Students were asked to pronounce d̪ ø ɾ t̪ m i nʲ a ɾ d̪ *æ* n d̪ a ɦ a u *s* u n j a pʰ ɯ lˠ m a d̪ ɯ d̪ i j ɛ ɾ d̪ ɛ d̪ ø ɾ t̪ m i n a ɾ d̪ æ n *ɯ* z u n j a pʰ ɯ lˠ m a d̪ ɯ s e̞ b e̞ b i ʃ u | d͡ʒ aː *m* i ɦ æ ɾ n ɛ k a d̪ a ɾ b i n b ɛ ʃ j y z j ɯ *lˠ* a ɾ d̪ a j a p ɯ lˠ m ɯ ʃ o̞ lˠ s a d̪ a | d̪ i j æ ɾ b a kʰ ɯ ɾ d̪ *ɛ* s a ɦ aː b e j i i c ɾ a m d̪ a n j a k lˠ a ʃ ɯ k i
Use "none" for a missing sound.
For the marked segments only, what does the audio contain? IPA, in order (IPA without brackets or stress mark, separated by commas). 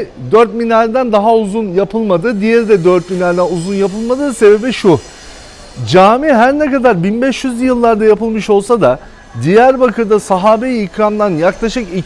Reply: æ, z, u, m, lˠː, a